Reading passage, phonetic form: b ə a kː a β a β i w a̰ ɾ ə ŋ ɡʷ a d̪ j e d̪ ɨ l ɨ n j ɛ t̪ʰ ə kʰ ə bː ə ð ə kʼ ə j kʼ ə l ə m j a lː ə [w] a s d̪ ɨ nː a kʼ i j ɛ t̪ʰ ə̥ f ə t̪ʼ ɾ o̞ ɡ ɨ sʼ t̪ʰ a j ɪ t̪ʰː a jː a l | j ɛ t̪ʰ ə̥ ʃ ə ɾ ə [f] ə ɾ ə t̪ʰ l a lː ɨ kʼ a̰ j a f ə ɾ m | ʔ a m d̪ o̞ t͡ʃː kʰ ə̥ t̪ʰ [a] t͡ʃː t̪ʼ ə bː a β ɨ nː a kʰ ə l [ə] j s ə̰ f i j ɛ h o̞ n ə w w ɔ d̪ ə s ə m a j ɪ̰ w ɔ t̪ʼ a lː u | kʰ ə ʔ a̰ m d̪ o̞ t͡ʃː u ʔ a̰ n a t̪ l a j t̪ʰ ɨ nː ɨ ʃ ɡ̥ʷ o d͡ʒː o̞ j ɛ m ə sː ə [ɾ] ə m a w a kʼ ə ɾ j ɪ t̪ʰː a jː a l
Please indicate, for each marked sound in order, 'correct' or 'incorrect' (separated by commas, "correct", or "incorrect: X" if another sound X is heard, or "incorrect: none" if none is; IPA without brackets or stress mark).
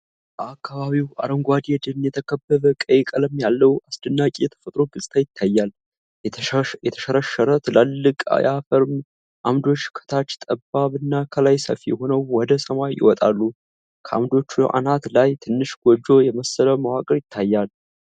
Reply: correct, incorrect: ʃ, correct, incorrect: a, incorrect: l